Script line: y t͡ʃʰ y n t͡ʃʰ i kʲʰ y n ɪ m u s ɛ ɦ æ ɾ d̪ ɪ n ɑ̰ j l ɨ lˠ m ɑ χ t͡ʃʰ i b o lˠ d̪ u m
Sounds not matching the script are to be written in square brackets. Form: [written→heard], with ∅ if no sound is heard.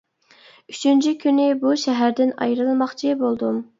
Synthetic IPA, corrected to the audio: y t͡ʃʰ y n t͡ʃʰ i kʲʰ y n ɪ [m→b] u [s→ʃ] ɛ ɦ æ ɾ d̪ ɪ n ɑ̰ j [l→ɾ] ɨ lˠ m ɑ χ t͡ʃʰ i b o lˠ d̪ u m